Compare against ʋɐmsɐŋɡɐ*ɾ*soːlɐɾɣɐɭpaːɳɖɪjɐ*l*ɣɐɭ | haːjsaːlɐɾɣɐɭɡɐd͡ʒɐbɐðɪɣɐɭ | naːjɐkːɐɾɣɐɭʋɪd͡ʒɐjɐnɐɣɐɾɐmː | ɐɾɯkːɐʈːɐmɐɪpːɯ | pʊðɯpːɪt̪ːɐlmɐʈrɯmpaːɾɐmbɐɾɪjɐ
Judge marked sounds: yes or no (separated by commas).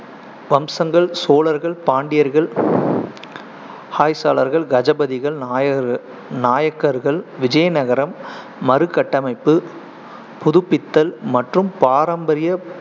no, no